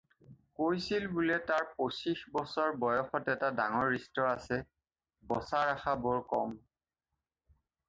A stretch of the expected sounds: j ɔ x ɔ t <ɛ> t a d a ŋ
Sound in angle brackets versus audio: correct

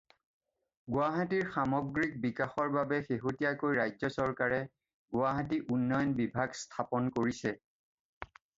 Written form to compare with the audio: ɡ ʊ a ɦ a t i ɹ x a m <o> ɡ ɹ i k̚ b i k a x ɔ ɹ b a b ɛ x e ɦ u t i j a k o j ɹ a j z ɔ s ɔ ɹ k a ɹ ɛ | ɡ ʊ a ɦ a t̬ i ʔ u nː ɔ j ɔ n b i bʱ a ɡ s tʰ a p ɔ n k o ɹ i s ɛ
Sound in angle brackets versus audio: incorrect: ɔ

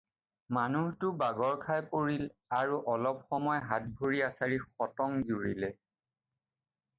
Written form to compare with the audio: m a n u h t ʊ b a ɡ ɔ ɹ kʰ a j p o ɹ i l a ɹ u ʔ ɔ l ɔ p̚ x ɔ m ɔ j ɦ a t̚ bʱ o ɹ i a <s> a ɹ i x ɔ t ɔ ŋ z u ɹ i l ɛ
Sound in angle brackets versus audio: correct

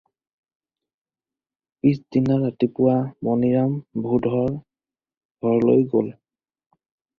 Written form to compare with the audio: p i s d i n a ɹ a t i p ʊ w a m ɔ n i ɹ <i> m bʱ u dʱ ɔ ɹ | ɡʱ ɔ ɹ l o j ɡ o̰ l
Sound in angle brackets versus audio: incorrect: a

